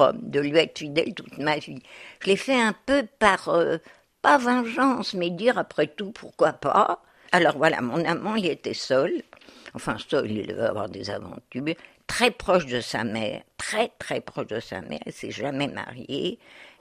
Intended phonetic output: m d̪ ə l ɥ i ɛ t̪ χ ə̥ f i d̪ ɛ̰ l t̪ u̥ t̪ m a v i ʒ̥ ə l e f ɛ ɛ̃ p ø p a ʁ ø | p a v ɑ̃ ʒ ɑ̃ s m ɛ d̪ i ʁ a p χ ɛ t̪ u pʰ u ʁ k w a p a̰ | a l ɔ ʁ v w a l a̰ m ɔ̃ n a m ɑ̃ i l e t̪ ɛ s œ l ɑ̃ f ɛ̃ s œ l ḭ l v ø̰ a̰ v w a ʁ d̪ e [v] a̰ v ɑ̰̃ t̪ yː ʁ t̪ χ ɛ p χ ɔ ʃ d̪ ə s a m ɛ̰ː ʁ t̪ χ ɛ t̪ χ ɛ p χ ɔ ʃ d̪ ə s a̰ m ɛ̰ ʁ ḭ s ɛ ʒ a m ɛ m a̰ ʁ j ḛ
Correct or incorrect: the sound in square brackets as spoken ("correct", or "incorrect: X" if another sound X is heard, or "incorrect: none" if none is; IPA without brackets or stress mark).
incorrect: z